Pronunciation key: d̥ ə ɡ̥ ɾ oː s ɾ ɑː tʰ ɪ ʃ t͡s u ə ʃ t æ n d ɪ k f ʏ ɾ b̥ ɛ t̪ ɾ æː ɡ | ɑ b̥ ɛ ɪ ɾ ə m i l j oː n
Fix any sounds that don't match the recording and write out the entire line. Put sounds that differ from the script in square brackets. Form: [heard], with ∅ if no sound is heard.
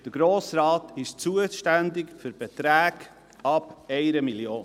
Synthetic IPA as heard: d̥ ə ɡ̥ ɾ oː s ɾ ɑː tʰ ɪ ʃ t͡s u ə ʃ t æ n d ɪ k f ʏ ɾ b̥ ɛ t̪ ɾ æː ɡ | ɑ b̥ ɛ ɪ ɾ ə m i l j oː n